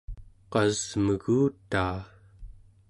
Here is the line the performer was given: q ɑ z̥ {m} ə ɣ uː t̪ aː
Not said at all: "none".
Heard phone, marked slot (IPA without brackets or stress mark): m